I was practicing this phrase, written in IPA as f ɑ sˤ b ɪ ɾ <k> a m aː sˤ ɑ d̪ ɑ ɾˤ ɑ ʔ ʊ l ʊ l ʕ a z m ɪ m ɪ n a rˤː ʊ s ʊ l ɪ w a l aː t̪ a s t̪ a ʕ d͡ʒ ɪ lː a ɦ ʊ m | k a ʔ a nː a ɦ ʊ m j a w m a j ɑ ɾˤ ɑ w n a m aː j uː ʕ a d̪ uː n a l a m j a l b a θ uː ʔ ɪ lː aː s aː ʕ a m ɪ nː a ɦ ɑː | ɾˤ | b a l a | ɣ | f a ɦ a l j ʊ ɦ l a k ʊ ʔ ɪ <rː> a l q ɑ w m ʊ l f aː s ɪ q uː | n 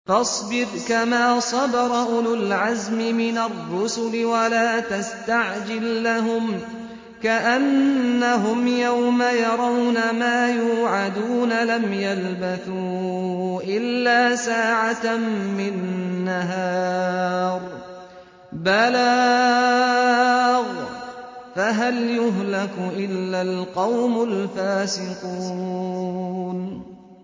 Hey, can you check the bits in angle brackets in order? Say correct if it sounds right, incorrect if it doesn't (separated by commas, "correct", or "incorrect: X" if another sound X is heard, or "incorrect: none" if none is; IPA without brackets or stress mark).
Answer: correct, incorrect: lː